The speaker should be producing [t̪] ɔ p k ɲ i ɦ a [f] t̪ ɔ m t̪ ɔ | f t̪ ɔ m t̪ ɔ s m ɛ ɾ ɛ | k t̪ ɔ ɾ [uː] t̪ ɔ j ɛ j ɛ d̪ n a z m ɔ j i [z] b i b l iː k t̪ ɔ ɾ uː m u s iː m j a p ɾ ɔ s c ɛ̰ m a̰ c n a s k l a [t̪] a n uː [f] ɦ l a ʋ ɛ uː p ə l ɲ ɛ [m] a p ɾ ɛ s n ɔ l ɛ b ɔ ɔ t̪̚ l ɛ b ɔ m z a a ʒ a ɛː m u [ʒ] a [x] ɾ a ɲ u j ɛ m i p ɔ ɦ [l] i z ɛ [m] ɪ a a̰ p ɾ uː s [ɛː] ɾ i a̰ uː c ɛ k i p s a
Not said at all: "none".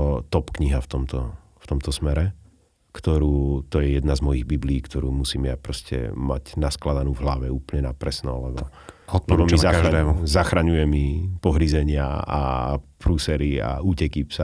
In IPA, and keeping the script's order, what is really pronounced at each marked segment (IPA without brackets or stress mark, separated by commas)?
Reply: t̪, f, uː, ɣ, d̪, v, n, z, x, ɾ, ɲ, ɛ